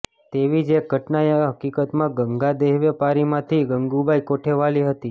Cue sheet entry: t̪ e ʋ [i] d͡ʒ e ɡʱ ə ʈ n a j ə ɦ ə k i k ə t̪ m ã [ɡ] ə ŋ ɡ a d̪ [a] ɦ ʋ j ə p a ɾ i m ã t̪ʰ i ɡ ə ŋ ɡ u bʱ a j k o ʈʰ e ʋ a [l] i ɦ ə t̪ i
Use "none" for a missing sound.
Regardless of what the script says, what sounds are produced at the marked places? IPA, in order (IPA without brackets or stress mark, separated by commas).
i, ɡ, e, l